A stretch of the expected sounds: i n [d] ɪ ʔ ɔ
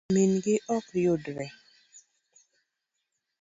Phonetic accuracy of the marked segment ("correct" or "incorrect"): incorrect